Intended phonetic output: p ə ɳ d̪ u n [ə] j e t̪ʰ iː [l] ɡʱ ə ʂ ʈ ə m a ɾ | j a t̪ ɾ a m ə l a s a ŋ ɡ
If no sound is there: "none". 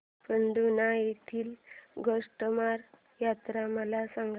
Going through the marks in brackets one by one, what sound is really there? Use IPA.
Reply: a, l

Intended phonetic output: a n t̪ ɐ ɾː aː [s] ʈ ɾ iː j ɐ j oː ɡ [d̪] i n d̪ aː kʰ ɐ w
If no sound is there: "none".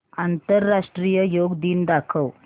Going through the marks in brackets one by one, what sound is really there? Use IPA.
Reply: ʂ, d̪

